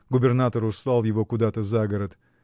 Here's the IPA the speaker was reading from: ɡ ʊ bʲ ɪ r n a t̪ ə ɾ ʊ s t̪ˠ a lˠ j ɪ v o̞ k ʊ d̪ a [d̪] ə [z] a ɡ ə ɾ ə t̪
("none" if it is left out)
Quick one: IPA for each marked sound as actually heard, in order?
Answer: t̪, z

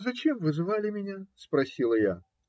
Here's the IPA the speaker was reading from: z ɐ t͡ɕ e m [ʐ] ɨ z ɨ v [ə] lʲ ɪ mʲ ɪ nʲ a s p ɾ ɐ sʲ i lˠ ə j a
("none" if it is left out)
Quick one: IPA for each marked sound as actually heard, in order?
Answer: v, a

